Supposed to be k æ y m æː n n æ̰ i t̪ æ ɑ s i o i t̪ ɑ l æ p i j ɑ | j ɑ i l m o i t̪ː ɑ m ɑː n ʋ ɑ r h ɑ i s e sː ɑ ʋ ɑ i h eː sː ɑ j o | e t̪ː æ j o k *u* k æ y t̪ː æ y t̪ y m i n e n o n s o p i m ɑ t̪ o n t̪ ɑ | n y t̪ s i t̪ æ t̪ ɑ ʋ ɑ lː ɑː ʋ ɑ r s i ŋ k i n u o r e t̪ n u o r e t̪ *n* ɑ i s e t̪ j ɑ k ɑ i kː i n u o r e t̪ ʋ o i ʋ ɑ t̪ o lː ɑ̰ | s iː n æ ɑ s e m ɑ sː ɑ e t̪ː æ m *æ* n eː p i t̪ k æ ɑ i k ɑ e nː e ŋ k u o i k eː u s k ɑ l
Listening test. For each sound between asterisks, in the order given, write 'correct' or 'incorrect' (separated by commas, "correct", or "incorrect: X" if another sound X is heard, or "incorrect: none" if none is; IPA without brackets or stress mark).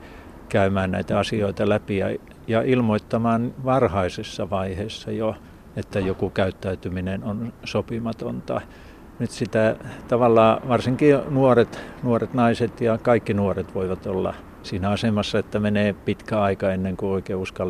correct, correct, incorrect: e